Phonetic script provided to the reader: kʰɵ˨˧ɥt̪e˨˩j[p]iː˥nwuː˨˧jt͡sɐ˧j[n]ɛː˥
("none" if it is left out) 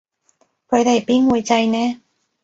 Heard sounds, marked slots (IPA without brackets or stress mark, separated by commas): p, n